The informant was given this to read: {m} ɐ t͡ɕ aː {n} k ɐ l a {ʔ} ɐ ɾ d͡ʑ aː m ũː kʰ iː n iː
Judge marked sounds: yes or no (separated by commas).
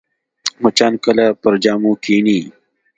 yes, yes, no